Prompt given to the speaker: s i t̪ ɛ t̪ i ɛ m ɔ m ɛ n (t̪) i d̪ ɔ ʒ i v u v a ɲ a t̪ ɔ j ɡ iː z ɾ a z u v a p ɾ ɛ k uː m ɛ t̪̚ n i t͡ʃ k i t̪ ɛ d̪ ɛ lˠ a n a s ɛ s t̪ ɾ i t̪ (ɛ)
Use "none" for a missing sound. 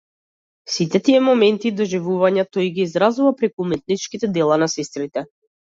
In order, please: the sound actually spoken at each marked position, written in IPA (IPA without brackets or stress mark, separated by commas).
t̪, ɛ